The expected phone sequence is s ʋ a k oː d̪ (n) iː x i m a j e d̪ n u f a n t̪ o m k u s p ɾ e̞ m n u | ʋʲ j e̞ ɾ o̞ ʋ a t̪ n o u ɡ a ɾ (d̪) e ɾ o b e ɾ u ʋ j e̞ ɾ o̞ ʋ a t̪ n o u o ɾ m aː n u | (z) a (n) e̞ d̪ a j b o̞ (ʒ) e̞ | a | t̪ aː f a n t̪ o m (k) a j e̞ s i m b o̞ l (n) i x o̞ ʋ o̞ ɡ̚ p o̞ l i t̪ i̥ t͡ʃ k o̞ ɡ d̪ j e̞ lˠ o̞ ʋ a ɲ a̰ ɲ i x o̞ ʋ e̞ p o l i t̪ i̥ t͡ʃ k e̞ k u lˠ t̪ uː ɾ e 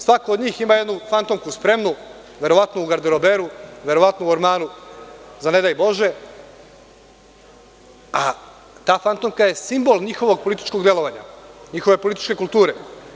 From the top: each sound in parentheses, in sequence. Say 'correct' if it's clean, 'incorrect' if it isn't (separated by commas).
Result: incorrect, correct, correct, correct, correct, correct, incorrect